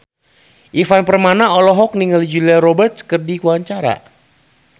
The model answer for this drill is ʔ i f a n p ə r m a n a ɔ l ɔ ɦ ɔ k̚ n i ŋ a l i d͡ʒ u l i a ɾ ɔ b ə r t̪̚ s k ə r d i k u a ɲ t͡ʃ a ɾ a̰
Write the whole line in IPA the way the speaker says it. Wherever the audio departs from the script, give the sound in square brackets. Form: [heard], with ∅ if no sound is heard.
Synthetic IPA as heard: ʔ i f a n p ə r m a n a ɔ l ɔ ɦ ɔ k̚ n i ŋ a l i d͡ʒ u l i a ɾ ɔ b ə r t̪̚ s k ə r d i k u a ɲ t͡ʃ a ɾ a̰